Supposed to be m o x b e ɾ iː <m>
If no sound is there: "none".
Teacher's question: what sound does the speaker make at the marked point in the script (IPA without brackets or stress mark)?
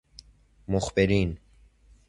n